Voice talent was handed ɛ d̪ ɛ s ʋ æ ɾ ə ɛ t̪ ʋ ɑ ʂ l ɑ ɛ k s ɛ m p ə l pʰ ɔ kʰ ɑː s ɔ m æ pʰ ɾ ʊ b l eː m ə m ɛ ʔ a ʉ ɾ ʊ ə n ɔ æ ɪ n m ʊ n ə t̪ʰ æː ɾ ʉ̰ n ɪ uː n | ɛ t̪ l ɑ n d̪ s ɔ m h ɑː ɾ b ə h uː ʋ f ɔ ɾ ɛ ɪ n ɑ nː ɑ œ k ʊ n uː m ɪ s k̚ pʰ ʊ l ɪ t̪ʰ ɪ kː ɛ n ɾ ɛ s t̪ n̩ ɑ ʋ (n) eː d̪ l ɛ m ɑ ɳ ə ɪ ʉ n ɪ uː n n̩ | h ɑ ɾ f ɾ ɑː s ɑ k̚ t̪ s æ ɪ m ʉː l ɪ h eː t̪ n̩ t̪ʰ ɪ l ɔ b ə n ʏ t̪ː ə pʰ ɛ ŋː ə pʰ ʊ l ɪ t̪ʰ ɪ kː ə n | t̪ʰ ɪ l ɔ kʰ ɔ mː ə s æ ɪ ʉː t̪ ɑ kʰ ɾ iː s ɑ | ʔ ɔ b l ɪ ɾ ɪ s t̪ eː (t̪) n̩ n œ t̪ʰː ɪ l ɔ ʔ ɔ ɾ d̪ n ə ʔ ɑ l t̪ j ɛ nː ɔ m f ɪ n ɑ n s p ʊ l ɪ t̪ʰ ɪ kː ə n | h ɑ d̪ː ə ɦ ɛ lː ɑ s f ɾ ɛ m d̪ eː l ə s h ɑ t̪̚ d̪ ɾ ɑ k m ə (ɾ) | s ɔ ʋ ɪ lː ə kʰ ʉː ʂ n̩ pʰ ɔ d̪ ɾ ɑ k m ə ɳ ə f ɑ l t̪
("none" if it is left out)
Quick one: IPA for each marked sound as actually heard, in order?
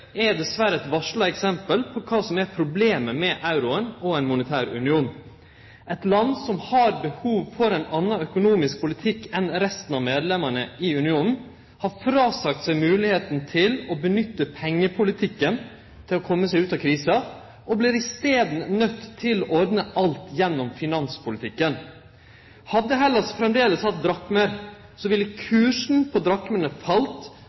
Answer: m, d̪, ɾ

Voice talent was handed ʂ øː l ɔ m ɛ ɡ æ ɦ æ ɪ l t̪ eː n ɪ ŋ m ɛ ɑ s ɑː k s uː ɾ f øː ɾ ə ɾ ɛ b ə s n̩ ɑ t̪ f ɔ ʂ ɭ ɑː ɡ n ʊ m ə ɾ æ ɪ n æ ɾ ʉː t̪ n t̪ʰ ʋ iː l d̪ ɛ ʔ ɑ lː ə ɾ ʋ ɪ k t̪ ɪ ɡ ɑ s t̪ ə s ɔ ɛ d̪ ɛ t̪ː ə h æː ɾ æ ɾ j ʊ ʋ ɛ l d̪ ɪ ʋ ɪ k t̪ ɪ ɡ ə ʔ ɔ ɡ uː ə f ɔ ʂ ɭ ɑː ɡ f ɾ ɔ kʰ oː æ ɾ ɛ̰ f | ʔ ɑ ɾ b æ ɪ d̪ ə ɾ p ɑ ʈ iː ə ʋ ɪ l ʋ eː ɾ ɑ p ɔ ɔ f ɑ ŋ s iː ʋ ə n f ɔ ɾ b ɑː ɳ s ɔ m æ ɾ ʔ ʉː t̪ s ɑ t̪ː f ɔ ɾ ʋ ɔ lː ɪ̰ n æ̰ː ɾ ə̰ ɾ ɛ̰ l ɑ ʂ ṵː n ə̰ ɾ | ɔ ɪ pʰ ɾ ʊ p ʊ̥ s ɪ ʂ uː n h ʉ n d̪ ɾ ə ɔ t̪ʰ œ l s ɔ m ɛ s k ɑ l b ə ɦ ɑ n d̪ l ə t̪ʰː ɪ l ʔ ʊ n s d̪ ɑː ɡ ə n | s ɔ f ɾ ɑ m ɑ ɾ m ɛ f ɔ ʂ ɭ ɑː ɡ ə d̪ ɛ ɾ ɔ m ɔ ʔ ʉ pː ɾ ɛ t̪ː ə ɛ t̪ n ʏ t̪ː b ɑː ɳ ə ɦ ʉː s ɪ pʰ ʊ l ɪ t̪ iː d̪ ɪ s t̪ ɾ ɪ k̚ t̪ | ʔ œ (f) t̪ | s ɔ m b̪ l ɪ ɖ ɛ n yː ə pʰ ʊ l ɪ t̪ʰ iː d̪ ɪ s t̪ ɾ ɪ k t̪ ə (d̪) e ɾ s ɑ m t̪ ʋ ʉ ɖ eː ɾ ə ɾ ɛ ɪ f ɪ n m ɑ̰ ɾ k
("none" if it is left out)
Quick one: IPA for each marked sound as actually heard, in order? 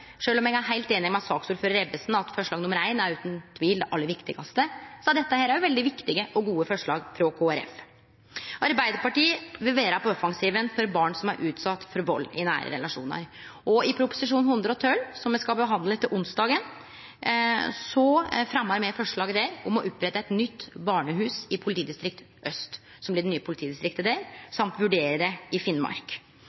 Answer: s, d̪

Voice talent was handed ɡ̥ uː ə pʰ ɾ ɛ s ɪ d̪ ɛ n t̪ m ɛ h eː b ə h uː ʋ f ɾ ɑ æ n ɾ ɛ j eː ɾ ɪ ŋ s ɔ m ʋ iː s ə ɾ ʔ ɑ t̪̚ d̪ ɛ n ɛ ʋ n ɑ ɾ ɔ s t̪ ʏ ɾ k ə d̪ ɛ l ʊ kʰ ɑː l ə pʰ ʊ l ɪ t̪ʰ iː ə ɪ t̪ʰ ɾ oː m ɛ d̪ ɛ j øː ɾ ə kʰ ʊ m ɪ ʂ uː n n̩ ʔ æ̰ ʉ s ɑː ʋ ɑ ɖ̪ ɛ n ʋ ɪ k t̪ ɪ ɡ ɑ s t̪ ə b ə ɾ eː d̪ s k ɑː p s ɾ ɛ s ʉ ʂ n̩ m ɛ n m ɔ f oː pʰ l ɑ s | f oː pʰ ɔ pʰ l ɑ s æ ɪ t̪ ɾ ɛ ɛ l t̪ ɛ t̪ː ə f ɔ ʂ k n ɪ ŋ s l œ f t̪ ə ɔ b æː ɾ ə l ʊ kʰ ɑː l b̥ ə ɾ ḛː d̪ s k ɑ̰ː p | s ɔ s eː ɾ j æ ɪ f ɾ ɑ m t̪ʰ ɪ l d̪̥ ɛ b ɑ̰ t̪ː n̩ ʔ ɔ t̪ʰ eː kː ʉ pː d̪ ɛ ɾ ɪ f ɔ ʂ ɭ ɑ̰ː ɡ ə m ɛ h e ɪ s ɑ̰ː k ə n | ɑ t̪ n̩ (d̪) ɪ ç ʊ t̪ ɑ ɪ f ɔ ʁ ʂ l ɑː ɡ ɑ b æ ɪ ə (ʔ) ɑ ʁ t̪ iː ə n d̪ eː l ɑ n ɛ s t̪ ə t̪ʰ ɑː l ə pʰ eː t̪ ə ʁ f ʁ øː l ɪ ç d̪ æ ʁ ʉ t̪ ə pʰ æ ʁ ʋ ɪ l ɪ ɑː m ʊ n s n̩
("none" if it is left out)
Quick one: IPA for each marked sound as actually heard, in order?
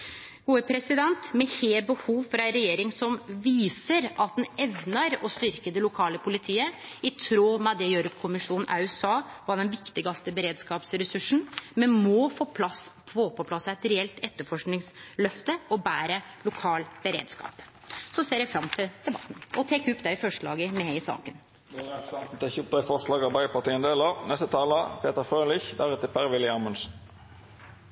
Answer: t̪, p

